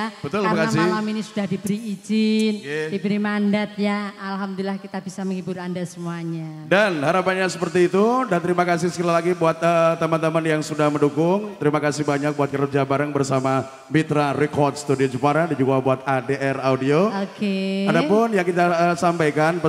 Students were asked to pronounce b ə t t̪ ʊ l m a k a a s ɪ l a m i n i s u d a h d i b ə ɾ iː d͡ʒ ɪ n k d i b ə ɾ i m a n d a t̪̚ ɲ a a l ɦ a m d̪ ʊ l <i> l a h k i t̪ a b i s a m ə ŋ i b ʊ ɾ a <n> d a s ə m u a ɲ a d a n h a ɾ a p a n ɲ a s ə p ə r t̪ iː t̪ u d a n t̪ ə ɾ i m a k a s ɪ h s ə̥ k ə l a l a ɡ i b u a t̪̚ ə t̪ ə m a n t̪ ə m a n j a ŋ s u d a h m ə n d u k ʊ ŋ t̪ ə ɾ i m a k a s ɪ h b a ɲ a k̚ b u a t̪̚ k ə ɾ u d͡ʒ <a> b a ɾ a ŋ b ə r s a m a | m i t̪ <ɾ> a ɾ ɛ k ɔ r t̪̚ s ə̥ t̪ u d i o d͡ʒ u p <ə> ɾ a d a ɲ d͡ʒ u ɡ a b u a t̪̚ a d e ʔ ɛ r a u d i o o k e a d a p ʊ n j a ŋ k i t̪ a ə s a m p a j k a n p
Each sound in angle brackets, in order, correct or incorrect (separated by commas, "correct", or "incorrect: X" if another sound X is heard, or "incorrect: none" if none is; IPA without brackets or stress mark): correct, correct, correct, correct, incorrect: a